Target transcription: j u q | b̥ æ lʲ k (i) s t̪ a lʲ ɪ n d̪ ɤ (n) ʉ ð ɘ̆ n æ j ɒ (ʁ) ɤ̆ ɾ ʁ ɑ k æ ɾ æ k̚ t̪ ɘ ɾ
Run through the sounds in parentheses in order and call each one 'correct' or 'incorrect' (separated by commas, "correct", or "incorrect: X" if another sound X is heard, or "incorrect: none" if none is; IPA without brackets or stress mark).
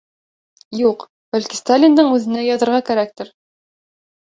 correct, incorrect: ɴ, incorrect: ð